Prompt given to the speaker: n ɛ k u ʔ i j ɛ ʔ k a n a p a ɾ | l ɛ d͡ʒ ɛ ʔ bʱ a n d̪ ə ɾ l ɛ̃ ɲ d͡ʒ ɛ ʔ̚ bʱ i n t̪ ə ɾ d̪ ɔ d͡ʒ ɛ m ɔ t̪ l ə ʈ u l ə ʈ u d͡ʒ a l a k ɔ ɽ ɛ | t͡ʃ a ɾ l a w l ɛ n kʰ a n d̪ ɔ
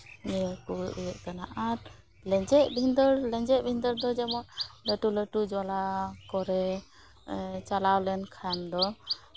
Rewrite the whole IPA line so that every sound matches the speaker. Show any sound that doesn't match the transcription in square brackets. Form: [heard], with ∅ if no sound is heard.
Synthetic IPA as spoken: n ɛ k u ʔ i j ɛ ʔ k a n a [ʔ] a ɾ | l ɛ d͡ʒ ɛ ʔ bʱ [i] n d̪ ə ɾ l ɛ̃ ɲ d͡ʒ ɛ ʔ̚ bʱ i n [d̪] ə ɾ d̪ ɔ d͡ʒ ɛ m ɔ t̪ l ə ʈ u l ə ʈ u d͡ʒ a l a k ɔ [ɾ] ɛ | t͡ʃ a [∅] l a w l ɛ n kʰ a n d̪ ɔ